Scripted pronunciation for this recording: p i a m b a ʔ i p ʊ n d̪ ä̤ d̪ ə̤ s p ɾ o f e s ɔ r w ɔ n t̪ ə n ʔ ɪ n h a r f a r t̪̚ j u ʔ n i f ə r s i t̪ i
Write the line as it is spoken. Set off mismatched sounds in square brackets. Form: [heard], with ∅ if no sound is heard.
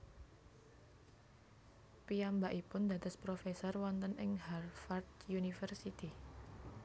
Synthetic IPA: p i a m b a ʔ i p ʊ n d̪ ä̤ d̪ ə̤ s p ɾ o f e s ɔ r w ɔ n t̪ ə n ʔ ɪ [ŋ] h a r f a r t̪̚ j u [∅] n i f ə r s i t̪ i